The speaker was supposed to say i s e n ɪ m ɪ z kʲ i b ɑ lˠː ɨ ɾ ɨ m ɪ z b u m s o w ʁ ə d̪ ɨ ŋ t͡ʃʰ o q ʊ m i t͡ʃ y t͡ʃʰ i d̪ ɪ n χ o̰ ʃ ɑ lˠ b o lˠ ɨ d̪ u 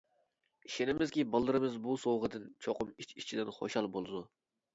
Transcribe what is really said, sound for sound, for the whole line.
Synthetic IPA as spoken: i ʃ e n ɪ m ɪ z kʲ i b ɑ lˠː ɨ ɾ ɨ m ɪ z b u s o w ʁ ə d̪ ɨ n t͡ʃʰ o q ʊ m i t͡ʃ i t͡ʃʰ i d̪ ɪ n χ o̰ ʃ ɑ lˠ b o lˠ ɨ d̪ u